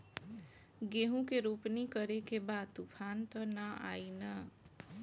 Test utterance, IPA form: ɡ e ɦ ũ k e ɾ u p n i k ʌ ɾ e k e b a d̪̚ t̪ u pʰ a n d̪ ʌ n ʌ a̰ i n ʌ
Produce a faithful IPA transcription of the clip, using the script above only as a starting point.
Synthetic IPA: ɡ e ɦ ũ k e ɾ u p n i k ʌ ɾ e k e b a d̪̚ t̪ u pʰ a n t̪ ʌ n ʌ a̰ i n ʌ